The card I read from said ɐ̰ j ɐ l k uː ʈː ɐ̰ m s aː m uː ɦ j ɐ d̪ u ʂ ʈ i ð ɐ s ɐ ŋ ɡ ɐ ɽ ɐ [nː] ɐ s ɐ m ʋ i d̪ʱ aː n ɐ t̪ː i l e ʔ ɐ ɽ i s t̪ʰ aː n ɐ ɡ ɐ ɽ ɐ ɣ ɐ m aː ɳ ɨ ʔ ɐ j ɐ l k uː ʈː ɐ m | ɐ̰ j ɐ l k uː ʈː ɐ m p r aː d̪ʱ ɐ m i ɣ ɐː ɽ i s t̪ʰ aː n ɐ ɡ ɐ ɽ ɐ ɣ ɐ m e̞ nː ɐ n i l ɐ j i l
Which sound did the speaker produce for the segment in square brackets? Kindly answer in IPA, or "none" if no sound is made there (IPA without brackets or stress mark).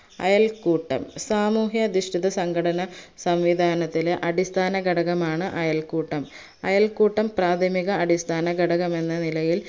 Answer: n